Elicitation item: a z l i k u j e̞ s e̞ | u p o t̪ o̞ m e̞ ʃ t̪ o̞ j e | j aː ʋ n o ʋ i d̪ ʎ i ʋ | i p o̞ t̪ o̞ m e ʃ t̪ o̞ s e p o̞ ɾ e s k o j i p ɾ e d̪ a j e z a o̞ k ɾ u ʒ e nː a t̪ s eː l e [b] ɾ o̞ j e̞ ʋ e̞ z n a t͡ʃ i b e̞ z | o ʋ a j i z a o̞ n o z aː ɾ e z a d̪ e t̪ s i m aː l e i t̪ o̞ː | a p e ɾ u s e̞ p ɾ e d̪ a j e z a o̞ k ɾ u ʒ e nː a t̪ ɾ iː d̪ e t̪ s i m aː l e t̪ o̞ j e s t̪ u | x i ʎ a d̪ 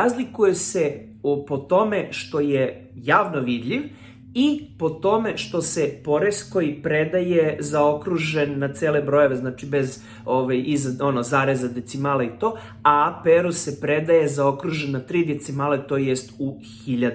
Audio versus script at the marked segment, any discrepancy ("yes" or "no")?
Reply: no